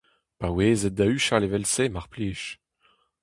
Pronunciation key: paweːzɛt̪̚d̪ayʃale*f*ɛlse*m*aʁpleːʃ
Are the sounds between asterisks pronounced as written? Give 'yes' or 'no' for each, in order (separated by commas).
no, yes